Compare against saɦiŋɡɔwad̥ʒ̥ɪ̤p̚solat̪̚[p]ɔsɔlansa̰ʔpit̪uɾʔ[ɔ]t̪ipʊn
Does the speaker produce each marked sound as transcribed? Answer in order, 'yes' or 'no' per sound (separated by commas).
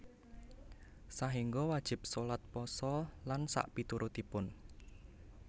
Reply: yes, no